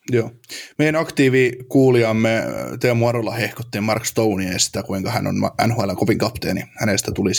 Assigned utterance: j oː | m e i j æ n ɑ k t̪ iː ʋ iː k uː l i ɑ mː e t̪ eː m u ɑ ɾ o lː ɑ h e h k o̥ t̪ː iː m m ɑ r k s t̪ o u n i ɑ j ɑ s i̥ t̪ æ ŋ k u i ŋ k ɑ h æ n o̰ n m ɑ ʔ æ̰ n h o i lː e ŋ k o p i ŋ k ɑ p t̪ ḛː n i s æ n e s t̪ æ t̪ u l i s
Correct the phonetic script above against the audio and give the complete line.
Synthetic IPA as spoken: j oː | m e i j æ n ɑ k t̪ iː ʋ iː k uː l i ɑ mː e t̪ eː m u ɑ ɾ o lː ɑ h e h k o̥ t̪ː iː m m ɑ r k s t̪ o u n i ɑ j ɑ s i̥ t̪ æ k u i ŋ k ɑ h æ n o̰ n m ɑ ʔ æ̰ n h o æ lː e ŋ k o p i ŋ k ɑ p t̪ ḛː n i h æ n e s t̪ æ t̪ u l i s